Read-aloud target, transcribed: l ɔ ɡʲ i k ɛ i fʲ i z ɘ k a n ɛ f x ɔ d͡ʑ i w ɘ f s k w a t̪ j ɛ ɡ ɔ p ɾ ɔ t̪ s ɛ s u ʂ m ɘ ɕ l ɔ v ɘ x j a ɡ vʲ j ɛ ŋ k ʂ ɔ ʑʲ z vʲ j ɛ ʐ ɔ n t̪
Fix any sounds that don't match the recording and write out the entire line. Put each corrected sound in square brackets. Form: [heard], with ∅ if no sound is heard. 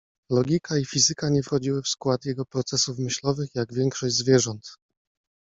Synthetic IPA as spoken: l ɔ ɡʲ i k [a] i fʲ i z ɘ k a [ɲ] ɛ f x ɔ d͡ʑ i w ɘ f s k w a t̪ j ɛ ɡ ɔ p ɾ ɔ t̪ s ɛ s u [f] m ɘ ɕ l ɔ v ɘ x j a ɡ vʲ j ɛ ŋ k ʂ ɔ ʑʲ z vʲ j ɛ ʐ ɔ n t̪